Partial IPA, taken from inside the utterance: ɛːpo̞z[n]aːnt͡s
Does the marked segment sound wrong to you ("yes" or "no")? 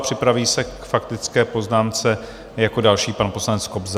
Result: no